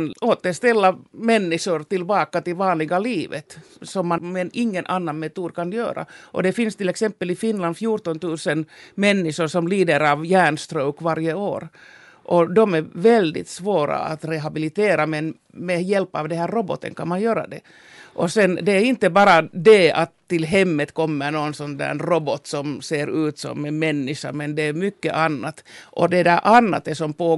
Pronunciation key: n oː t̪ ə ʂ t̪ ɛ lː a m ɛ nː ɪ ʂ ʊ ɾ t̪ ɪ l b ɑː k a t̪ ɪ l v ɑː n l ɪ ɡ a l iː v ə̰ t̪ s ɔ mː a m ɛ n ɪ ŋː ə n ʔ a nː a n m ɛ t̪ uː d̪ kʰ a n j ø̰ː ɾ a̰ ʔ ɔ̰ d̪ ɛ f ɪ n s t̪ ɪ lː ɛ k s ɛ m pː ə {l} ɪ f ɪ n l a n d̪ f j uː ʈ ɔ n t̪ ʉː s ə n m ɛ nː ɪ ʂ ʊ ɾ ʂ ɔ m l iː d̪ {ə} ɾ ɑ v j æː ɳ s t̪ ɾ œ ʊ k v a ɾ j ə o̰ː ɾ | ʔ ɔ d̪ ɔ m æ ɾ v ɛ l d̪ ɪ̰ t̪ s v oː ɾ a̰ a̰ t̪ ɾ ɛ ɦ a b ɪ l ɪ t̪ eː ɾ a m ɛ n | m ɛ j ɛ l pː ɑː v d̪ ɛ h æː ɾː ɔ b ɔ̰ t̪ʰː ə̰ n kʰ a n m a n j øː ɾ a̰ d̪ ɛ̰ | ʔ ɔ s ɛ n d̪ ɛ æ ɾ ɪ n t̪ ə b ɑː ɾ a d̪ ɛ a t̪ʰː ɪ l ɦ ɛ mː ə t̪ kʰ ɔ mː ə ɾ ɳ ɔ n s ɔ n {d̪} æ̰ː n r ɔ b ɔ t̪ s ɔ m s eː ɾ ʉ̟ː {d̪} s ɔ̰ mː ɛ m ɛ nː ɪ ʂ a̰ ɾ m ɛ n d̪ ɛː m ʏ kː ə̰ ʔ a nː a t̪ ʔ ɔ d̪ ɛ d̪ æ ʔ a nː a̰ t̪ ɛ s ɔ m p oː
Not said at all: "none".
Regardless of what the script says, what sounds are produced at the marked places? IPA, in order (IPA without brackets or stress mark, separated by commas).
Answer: l, ə, d̪, t̪